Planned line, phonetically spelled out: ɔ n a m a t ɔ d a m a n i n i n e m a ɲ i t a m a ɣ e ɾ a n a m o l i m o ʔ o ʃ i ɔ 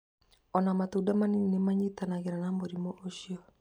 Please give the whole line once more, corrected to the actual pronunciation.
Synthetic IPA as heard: ɔ n a m a t u d a m a n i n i n e m a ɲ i t a n a ɣ e ɾ a n a m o ɾ i m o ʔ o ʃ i ɔ